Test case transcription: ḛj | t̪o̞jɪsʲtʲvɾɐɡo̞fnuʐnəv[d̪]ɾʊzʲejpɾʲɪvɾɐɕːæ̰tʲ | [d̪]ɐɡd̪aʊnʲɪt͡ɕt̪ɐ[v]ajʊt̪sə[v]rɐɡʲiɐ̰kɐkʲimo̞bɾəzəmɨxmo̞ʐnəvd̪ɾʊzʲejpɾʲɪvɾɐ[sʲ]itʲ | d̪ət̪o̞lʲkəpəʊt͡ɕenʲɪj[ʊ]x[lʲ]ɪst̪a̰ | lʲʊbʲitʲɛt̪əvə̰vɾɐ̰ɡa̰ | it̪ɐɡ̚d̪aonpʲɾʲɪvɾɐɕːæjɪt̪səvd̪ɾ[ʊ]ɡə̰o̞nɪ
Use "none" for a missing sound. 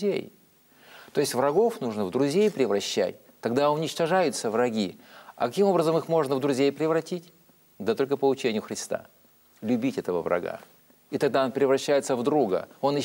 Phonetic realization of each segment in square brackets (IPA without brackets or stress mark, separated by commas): d̪, t̪, ʐ, v, tʲ, ʊ, ɾʲ, u